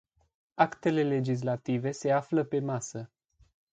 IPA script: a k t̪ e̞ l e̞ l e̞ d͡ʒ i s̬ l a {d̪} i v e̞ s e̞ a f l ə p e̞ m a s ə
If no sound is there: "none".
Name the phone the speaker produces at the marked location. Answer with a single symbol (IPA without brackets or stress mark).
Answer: t̪